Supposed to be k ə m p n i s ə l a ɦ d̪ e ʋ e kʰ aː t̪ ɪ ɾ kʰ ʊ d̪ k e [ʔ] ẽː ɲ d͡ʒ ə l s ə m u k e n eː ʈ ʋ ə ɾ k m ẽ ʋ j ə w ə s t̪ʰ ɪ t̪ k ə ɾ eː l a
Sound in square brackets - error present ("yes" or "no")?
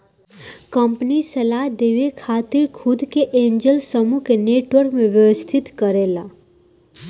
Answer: no